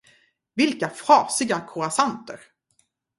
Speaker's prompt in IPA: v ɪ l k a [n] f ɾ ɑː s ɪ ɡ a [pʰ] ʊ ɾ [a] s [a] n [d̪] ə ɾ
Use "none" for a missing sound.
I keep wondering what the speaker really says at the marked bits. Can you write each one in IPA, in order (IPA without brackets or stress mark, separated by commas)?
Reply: none, kʰ, a, a, t̪